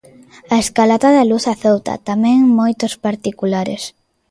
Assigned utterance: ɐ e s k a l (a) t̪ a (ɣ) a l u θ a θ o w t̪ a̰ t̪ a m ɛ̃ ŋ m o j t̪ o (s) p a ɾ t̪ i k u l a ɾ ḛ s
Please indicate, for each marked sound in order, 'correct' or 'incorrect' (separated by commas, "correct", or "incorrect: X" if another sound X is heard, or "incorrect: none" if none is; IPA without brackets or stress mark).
correct, incorrect: ð, correct